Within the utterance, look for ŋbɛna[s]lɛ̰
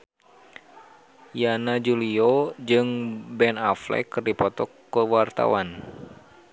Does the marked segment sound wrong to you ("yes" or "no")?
yes